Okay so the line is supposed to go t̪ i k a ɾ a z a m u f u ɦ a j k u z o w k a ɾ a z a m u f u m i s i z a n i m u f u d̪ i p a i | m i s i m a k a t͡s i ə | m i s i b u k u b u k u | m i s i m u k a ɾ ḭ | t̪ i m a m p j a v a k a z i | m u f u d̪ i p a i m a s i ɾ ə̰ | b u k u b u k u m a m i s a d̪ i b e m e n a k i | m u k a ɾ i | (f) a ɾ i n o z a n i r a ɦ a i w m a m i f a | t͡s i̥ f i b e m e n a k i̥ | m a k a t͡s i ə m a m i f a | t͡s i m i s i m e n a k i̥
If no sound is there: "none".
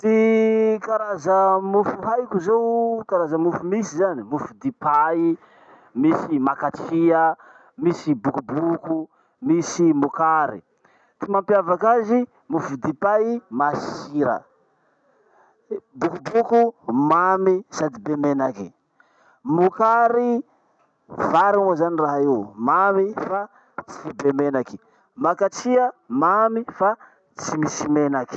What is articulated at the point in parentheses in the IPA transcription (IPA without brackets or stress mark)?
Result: v